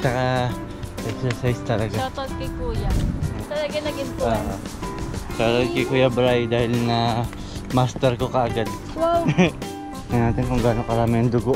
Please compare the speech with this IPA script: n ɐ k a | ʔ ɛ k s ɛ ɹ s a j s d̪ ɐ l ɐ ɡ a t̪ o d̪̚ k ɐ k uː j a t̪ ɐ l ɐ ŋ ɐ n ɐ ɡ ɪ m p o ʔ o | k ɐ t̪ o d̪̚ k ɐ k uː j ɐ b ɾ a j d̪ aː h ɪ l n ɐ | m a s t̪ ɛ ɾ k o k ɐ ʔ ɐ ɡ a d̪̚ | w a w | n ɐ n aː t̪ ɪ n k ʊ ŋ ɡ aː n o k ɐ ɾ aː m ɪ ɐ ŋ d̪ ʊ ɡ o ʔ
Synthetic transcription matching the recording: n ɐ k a | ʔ ɛ k s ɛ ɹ s a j s t̪ ɐ l ɐ ɡ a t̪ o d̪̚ k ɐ k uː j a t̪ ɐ l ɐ ɡ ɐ n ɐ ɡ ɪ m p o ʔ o | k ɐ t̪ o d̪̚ k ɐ k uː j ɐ b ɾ a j d̪ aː h ɪ l n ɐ | m a s t̪ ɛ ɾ k o k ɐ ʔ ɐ ɡ a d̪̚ | w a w | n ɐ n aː t̪ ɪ n k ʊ ŋ ɡ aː n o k ɐ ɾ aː m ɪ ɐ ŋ d̪ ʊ ɡ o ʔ